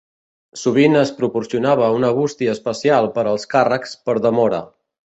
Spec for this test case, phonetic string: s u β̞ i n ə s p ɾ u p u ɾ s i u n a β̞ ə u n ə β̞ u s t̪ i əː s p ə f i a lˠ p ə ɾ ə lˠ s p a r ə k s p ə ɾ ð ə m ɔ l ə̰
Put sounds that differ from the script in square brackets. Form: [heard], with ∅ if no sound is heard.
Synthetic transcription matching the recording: s u β̞ i n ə s p ɾ u p u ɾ s i u n a β̞ ə u n ə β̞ u s t̪ i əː s p ə [s] i a lˠ p ə ɾ ə lˠ s [k] a r ə k s p ə ɾ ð ə m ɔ [ɾ] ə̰